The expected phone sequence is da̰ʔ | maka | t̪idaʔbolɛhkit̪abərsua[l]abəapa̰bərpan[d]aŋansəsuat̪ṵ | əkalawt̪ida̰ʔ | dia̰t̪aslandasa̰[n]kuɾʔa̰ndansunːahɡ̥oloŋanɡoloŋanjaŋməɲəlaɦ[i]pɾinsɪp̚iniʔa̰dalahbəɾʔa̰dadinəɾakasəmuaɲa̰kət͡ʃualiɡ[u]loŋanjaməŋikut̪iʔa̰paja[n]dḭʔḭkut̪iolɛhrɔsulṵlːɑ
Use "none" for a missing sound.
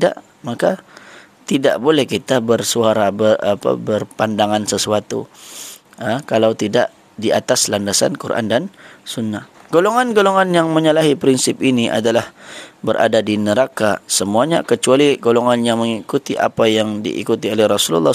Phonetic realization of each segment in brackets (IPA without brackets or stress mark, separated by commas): ɾ, d, n, i, o, ŋ